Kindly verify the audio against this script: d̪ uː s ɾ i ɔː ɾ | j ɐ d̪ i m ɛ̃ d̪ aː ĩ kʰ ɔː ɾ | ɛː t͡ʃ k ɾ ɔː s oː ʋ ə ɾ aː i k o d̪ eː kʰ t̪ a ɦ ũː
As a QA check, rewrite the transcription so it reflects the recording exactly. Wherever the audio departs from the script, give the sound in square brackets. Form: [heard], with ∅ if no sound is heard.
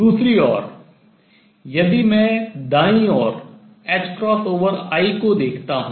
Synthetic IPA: d̪ uː s ɾ i ɔː ɾ | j ɐ d̪ i m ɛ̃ d̪ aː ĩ [∅] ɔː ɾ | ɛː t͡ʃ k ɾ ɔː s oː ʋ ə ɾ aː i k o d̪ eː kʰ t̪ a ɦ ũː